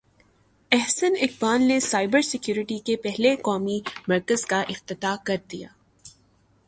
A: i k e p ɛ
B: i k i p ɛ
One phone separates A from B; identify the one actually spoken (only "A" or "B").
A